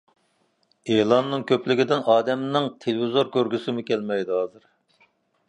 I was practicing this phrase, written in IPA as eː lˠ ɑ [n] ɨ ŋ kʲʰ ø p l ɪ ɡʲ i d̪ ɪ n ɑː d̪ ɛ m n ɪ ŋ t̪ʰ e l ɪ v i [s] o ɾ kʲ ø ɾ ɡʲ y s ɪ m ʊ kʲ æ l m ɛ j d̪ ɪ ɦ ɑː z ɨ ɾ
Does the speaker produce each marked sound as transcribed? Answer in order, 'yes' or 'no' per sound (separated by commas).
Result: no, no